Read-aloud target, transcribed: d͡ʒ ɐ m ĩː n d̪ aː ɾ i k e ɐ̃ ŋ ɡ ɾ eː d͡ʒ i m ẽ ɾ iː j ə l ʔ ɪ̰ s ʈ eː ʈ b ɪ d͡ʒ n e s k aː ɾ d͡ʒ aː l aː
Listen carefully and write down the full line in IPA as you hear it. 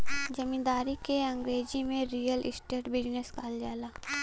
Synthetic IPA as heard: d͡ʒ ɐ m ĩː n d̪ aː ɾ i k e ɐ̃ ŋ ɡ ɾ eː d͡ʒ i m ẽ ɾ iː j ə l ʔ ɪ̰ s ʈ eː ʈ b ɪ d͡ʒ n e s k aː l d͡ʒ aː l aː